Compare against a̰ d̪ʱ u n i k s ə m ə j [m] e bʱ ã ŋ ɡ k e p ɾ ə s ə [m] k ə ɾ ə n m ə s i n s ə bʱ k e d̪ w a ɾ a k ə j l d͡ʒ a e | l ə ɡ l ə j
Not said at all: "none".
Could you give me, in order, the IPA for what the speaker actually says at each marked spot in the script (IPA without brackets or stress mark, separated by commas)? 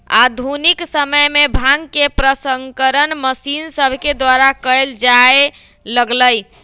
m, ŋ